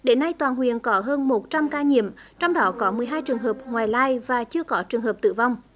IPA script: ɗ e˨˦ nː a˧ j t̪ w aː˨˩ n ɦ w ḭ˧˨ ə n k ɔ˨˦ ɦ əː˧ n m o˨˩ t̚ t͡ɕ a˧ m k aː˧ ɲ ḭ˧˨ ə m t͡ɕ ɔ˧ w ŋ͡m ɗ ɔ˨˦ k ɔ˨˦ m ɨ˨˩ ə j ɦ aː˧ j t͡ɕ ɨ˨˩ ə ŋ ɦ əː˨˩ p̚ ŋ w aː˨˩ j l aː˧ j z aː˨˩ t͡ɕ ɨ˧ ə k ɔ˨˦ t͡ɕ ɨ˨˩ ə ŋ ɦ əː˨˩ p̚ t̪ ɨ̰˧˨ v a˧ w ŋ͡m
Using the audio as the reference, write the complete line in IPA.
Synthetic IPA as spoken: ɗ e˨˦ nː a˧ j t̪ w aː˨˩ n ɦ w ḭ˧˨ ə n k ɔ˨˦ ɦ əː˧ n m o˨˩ t̚ t͡ɕ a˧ m k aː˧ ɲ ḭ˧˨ ə m t͡ɕ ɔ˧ w ŋ͡m ɗ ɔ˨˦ k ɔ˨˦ m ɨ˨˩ ə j ɦ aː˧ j t͡ɕ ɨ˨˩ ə ŋ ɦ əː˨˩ p̚ ŋ w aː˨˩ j l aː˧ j v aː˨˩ t͡ɕ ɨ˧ ə k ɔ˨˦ t͡ɕ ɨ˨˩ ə ŋ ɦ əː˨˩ p̚ t̪ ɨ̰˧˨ v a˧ w ŋ͡m